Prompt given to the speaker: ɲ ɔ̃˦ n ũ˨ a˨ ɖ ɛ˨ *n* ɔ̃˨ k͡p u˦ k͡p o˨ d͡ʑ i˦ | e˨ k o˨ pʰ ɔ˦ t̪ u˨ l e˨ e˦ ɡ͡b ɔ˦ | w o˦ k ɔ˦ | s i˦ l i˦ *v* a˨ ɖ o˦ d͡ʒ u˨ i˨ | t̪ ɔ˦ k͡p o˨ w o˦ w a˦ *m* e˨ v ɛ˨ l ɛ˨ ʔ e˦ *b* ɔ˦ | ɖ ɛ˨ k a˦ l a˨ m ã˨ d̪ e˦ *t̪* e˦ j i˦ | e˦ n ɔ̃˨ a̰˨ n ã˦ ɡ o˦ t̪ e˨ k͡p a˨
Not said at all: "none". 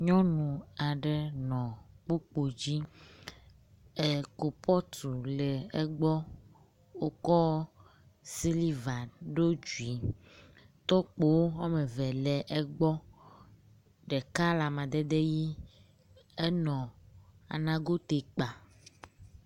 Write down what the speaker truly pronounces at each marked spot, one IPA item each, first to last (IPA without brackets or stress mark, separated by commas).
n, v, m, ɡ͡b, d̪